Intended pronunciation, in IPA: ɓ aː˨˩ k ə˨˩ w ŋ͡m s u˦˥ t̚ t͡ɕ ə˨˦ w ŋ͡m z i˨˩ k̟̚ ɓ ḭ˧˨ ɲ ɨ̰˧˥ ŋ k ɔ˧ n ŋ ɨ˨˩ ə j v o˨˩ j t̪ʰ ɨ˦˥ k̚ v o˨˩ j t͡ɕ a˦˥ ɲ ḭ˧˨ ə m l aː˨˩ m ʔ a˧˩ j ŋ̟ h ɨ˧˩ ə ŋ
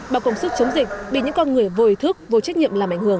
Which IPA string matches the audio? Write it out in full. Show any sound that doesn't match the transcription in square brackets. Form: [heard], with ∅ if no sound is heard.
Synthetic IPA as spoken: ɓ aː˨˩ k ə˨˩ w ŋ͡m s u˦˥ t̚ t͡ɕ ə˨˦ w ŋ͡m z i˨˩ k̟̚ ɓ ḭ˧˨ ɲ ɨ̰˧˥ ŋ k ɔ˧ n ŋ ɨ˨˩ ə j v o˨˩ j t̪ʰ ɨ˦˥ k̚ v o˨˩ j t͡ɕ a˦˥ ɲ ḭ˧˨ ə m l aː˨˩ m ʔ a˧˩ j ŋ̟ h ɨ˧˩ ə ŋ